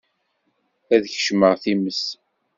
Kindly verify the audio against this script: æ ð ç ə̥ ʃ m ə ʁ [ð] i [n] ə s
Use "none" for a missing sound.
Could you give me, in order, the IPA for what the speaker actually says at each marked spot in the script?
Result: θ, m

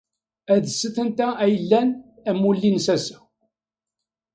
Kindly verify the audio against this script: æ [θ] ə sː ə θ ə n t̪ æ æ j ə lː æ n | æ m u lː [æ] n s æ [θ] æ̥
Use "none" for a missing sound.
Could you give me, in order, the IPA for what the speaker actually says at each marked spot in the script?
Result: ð, i, s

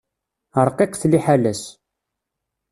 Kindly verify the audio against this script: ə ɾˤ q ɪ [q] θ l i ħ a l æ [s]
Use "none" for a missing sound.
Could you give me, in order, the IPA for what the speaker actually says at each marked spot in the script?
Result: q, s

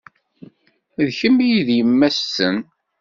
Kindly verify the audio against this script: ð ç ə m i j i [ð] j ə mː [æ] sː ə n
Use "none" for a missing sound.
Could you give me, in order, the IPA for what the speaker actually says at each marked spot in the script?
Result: ð, æ

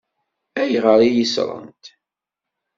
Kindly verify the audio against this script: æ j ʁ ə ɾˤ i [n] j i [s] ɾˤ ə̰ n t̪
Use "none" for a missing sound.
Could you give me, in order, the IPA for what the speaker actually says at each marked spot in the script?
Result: none, s

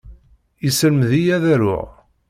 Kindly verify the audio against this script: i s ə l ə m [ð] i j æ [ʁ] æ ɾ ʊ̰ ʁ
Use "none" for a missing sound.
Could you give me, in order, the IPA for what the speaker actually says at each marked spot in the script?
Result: ð, ð

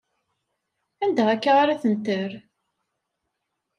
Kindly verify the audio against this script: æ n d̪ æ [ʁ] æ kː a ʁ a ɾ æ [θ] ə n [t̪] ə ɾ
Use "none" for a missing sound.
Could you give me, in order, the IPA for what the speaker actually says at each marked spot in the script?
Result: ʁ, θ, t̪

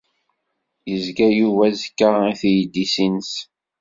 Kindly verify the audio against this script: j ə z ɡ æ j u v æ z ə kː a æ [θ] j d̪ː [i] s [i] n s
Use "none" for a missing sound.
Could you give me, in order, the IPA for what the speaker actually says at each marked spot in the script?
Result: θ, i, i

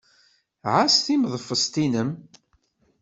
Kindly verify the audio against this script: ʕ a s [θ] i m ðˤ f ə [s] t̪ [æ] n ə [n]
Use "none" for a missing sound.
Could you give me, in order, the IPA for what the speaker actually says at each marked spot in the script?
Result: θ, s, i, m

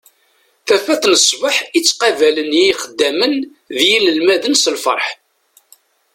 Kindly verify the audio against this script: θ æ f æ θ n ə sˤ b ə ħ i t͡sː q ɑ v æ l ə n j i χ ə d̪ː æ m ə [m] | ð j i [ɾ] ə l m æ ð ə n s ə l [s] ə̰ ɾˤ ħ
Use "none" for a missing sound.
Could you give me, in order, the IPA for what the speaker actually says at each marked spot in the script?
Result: n, l, f

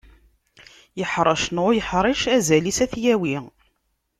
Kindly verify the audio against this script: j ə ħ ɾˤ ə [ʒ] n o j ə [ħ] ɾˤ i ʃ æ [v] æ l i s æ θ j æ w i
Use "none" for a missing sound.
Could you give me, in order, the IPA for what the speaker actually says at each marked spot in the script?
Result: ʃ, ħ, z

